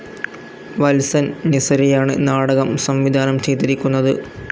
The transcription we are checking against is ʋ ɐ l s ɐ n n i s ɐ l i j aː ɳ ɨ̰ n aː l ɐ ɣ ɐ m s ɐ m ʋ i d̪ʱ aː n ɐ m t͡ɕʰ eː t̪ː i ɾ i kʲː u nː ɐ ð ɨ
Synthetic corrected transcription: ʋ ɐ l s ɐ n n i s ɐ ɾ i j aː ɳ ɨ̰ n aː ɽ ɐ ɣ ɐ m s ɐ m ʋ i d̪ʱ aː n ɐ m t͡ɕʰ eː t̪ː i ɾ i kʲː u nː ɐ ð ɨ